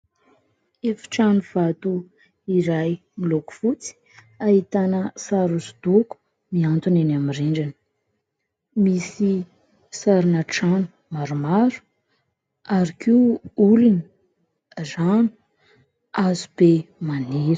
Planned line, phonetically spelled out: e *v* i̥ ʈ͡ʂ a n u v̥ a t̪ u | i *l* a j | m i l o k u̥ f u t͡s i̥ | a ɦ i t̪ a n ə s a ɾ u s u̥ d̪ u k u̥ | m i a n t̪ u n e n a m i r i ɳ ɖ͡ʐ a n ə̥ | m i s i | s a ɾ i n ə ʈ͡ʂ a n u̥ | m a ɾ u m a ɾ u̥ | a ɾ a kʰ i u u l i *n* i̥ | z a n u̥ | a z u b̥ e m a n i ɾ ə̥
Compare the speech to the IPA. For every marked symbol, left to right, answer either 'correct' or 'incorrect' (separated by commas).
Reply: incorrect, incorrect, correct